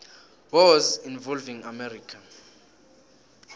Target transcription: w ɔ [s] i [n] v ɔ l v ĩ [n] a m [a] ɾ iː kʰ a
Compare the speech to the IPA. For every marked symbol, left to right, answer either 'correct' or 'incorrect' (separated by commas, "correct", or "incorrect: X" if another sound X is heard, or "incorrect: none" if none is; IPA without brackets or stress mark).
incorrect: z, correct, incorrect: ŋ, incorrect: ɛ